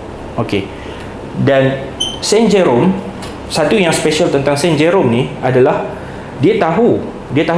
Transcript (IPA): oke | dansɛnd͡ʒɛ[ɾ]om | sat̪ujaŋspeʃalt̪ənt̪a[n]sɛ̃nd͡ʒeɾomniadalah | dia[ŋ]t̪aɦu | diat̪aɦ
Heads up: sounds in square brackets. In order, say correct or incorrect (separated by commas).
correct, incorrect, incorrect